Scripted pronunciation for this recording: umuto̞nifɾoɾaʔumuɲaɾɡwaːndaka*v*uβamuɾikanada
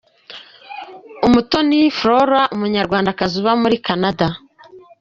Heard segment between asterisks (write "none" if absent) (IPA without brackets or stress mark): z